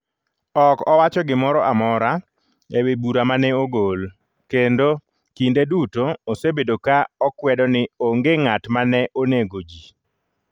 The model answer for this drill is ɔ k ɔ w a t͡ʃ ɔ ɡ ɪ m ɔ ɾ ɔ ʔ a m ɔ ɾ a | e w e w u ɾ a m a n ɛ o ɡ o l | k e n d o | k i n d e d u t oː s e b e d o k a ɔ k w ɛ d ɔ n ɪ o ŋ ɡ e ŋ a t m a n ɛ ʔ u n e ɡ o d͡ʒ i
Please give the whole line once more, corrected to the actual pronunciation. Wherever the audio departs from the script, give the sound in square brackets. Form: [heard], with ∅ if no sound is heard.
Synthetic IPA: ɔ k ɔ w a t͡ʃ ɔ ɡ ɪ m ɔ ɾ ɔ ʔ a m ɔ ɾ a | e w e [b] u ɾ a m a n ɛ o ɡ o l | k e n d o | k i n d e d u t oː s e b e d o k a ɔ k w ɛ d ɔ n ɪ o ŋ ɡ e ŋ a t m a n ɛ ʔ [o] n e ɡ o d͡ʒ i